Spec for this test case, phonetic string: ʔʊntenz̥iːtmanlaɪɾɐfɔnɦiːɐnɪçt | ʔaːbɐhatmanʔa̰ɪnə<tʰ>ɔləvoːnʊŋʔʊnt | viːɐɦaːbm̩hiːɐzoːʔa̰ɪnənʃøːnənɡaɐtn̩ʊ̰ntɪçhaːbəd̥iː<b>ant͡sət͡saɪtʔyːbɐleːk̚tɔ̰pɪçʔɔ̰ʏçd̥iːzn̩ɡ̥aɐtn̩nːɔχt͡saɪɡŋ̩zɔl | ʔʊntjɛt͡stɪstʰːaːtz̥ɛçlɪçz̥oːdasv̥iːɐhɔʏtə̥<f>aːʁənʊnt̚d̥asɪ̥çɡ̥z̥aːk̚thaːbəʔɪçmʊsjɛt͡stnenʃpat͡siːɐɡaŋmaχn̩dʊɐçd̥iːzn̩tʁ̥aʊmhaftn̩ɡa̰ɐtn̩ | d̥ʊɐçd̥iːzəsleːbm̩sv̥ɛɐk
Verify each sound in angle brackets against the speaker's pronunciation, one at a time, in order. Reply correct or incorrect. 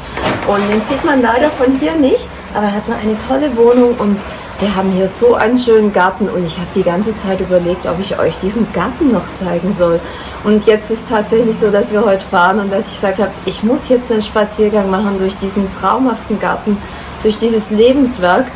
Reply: correct, incorrect, correct

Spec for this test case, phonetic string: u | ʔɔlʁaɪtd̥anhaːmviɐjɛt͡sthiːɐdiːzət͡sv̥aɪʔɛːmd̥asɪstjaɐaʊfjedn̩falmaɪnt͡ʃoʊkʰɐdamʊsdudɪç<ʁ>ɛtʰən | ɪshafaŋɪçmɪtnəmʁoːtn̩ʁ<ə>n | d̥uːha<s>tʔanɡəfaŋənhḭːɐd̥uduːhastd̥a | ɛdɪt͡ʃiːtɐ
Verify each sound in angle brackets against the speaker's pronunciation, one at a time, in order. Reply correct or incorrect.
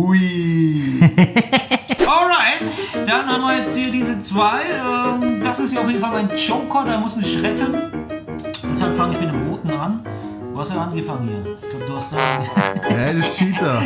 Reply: correct, incorrect, correct

